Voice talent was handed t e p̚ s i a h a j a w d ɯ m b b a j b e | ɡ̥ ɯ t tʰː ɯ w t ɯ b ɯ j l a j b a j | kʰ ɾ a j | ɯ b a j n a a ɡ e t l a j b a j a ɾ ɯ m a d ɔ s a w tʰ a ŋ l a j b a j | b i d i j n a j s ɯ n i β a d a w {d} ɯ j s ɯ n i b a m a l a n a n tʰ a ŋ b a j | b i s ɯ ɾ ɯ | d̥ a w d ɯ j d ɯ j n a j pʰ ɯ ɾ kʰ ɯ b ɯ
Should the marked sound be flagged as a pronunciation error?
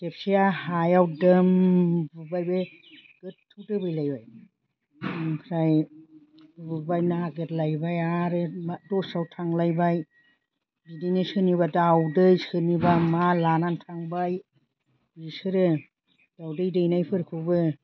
no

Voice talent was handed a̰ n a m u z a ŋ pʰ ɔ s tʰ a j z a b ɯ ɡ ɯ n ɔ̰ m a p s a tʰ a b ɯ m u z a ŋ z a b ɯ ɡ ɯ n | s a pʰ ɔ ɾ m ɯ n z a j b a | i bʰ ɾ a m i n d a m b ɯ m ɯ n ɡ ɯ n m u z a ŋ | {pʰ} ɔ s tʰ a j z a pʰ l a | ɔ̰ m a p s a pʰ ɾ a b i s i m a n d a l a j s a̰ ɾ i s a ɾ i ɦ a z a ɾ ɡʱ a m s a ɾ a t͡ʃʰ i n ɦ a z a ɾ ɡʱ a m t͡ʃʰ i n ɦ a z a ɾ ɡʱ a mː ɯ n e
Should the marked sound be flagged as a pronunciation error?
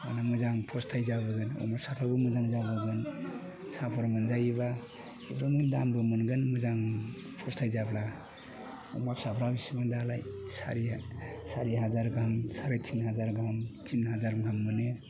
no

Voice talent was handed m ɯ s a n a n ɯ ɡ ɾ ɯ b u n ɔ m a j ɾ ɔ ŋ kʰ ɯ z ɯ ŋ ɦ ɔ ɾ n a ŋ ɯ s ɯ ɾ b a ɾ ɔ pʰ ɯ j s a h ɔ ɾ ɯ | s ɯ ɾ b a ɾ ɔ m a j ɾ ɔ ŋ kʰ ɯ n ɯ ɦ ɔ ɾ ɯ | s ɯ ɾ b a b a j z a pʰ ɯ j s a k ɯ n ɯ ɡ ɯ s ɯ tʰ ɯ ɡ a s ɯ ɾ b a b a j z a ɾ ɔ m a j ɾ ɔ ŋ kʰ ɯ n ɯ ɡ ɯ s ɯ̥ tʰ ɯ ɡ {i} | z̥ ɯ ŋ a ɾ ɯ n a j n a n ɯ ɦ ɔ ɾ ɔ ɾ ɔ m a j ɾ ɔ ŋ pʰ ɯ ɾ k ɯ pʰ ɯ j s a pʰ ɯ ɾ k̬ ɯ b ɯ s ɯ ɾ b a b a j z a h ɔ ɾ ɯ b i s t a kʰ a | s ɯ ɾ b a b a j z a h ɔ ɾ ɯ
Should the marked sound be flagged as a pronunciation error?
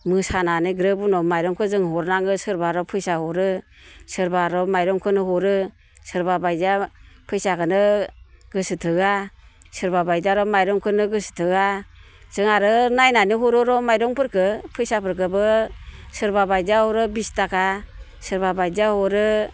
yes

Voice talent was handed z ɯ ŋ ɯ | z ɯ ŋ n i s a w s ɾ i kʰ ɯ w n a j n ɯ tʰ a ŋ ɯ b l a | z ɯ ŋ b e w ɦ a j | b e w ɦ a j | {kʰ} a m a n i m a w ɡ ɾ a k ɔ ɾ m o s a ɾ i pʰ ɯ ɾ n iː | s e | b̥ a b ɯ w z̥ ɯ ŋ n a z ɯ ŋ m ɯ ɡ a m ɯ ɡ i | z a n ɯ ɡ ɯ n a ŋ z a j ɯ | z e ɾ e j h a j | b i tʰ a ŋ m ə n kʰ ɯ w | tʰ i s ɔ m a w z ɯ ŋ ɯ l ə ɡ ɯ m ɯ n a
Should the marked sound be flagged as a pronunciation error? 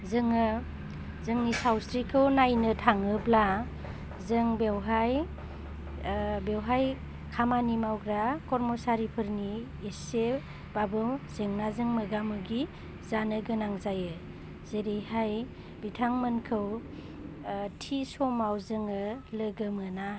no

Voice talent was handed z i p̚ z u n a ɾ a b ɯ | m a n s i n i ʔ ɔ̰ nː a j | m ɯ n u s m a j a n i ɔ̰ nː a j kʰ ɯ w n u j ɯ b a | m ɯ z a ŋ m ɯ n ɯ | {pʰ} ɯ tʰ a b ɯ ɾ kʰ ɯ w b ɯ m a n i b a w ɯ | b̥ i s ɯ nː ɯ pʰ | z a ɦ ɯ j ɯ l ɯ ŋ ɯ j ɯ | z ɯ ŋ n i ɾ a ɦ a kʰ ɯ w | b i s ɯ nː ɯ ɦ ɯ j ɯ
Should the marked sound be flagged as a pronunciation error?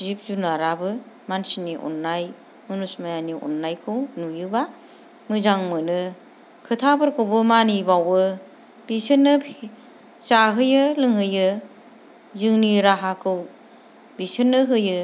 yes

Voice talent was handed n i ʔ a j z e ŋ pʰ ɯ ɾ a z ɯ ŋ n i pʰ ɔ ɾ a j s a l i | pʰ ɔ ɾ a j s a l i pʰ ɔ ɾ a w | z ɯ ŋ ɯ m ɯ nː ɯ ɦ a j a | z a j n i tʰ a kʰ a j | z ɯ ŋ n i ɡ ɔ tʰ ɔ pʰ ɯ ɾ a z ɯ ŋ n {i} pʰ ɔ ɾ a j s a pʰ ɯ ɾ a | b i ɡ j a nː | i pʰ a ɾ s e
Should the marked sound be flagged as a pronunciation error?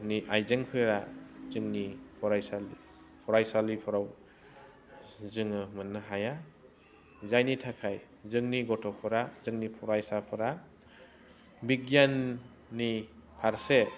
no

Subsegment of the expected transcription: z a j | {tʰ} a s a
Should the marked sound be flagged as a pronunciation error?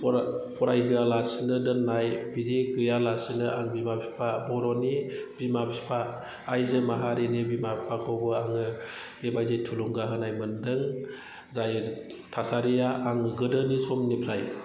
no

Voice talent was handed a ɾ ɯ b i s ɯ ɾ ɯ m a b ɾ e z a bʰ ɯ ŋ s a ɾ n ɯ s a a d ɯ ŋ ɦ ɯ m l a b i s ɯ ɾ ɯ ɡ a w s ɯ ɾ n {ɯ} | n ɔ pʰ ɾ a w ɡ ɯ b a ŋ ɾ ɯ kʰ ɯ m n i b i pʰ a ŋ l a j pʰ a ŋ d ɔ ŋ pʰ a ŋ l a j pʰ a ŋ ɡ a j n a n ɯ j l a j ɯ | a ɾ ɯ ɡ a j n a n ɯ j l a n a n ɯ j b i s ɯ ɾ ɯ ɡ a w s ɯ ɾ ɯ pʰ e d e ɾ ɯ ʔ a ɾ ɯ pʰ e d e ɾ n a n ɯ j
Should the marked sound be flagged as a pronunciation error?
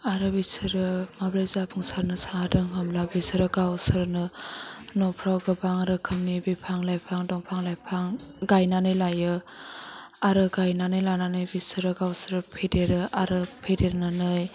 no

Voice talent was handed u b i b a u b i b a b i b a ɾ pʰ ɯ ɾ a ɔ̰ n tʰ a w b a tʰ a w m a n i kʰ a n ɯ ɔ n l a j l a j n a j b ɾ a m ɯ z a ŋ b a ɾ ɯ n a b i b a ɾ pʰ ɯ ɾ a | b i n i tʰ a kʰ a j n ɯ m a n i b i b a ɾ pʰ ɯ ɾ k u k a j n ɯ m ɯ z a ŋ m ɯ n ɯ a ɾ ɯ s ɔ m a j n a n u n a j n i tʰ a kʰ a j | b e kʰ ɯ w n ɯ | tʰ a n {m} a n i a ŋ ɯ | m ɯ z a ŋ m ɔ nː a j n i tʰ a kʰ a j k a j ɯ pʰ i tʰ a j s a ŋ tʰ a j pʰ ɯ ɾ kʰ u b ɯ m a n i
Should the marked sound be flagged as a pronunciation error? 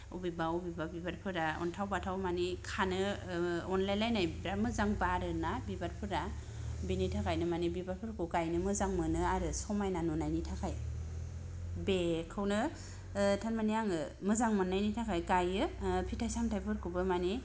no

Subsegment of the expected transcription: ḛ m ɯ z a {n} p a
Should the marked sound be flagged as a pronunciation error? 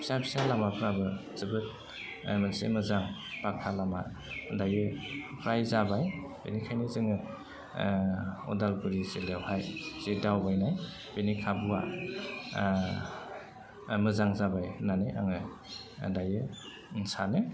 yes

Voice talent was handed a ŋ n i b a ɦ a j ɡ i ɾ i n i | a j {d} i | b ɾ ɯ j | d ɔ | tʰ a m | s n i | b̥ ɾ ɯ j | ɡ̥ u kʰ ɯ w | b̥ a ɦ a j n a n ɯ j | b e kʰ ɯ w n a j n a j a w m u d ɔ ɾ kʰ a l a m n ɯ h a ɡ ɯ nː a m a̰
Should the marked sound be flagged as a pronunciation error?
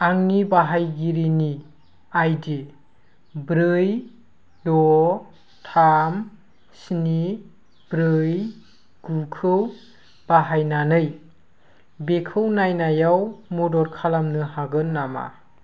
no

